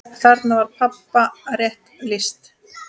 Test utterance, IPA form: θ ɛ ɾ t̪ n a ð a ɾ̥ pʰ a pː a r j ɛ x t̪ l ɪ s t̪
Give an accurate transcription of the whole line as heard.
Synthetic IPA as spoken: θ a ɾ t̪ n a v a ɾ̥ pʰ a pː a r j ɛ h t̪ l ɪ s t̪